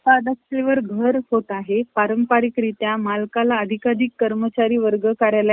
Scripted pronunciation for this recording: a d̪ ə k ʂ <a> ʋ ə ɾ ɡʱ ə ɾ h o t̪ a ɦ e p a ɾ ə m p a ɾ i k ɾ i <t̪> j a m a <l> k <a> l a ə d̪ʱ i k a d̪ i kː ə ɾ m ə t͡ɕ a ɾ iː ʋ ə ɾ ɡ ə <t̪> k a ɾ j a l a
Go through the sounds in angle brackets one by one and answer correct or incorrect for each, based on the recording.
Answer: incorrect, correct, correct, correct, incorrect

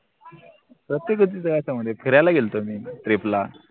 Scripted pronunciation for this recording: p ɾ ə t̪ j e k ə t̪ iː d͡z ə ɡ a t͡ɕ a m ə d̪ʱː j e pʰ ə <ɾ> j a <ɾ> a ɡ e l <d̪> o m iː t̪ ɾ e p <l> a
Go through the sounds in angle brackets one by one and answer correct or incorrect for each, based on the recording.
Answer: correct, incorrect, incorrect, correct

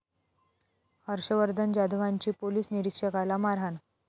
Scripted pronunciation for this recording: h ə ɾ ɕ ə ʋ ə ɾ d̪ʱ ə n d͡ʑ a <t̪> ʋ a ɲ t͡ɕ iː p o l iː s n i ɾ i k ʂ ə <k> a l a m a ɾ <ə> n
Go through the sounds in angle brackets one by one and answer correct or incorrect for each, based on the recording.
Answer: incorrect, correct, incorrect

